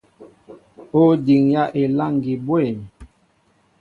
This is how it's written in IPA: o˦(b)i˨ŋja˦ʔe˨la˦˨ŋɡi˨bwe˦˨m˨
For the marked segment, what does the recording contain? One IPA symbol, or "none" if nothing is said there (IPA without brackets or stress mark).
d